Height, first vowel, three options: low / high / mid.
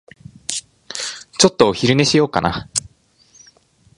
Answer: mid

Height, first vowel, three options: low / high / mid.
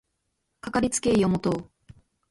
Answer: low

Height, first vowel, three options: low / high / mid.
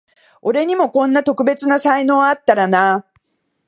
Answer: mid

